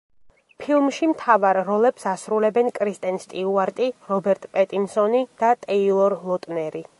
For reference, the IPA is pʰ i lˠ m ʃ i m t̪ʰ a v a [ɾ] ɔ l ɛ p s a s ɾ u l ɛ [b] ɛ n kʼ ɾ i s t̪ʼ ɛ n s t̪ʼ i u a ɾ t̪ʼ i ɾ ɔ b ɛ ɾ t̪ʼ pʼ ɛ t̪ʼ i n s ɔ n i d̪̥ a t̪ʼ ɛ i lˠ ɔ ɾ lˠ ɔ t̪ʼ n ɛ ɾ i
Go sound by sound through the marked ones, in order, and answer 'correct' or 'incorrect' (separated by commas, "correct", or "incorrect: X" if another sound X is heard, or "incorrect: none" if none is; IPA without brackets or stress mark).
incorrect: ɾː, correct